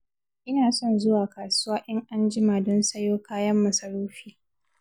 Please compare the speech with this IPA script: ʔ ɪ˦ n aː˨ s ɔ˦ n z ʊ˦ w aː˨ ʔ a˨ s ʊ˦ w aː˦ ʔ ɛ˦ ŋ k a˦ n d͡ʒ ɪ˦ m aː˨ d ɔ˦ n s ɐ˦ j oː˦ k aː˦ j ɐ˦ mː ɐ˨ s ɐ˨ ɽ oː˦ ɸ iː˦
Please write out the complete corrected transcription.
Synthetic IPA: ʔ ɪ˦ n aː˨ s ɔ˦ n z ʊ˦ w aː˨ k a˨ s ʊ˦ w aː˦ ʔ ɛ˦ ŋ ʔ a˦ n d͡ʒ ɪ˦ m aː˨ d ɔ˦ n s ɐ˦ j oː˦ k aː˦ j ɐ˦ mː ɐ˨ s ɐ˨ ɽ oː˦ ɸ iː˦